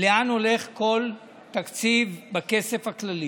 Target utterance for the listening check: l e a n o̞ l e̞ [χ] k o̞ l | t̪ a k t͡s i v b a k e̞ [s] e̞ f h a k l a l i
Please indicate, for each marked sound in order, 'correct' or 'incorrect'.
correct, correct

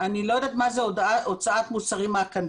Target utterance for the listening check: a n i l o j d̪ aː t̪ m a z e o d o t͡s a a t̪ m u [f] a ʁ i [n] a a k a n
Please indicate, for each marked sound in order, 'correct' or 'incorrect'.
incorrect: s, incorrect: m

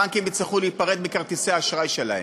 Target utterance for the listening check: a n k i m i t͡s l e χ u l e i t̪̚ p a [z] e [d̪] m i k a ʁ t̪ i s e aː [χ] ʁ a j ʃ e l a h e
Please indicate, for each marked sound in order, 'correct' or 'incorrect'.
incorrect: ʁ, correct, incorrect: ʃ

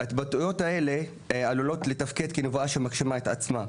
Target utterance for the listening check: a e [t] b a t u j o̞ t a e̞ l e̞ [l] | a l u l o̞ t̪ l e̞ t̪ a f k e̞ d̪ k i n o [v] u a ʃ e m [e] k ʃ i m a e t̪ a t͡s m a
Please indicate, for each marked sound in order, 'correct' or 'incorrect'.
correct, incorrect: none, correct, incorrect: a

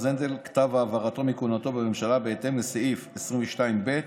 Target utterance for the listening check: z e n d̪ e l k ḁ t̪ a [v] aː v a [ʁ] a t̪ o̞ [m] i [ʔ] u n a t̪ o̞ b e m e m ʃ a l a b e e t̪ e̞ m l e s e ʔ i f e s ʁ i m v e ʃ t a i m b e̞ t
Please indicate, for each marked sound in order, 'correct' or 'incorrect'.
correct, correct, correct, incorrect: k

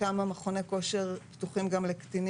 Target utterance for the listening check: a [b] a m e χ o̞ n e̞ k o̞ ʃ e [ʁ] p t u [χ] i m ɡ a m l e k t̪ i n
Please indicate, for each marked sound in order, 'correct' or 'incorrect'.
incorrect: m, correct, correct

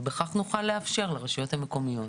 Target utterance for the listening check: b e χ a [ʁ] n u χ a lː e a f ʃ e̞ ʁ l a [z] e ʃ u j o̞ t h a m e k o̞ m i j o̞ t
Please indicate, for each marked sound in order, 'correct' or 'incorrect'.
incorrect: χ, incorrect: ʁ

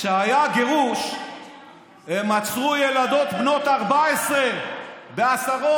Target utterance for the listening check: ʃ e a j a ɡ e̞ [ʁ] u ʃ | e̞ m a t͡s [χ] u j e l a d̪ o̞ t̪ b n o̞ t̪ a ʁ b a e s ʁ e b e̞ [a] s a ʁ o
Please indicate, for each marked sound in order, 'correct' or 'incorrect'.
correct, incorrect: ʁ, correct

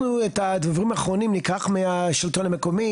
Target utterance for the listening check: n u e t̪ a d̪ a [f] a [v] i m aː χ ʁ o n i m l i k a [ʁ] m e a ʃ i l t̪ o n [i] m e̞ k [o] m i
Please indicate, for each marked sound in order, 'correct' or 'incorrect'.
incorrect: v, incorrect: ʁ, incorrect: χ, incorrect: a, correct

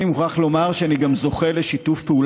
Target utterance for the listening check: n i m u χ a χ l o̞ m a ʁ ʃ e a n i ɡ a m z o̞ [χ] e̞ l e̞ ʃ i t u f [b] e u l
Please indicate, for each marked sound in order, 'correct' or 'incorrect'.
correct, incorrect: p

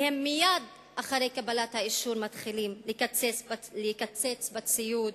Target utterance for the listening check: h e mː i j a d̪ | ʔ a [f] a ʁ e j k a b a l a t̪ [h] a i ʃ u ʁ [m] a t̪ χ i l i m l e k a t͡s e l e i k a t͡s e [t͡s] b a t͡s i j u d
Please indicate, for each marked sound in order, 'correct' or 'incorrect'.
incorrect: χ, correct, correct, correct

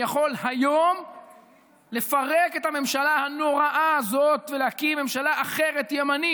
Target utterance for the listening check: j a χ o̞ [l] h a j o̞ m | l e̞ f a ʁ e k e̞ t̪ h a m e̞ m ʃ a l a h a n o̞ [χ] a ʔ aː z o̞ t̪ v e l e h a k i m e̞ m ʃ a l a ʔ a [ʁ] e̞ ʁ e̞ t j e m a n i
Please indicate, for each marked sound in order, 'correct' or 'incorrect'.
correct, incorrect: ʁ, incorrect: χ

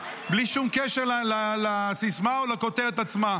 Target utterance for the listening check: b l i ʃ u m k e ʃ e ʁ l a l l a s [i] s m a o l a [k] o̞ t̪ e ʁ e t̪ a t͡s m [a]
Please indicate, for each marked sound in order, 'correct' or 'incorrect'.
correct, correct, correct

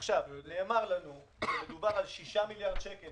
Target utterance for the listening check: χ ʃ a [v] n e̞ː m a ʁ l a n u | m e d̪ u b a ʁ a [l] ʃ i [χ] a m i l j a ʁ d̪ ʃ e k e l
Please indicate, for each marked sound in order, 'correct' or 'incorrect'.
correct, correct, incorrect: ʃ

